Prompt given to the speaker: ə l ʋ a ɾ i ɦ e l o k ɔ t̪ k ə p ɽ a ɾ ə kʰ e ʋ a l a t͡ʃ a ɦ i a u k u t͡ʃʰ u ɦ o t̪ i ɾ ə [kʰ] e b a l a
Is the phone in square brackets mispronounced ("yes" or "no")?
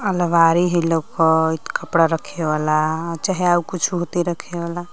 no